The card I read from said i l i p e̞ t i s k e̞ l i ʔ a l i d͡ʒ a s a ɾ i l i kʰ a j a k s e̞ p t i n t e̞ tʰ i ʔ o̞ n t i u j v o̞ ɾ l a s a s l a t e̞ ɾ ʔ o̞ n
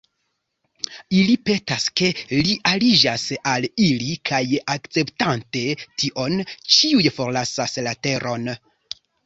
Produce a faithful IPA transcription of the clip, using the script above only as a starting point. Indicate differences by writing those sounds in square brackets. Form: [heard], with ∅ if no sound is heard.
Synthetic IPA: i l i p e̞ t [a] s k e̞ l i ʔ a l i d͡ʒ a s a [l] i l i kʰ a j a k [t͡s] e̞ p t [a] n t e̞ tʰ i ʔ o̞ n [t͡ʃ] i u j [f] o̞ ɾ l a s a s l a t e̞ ɾ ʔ o̞ n